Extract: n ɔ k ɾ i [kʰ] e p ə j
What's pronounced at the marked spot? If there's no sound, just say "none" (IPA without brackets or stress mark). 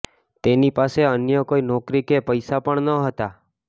k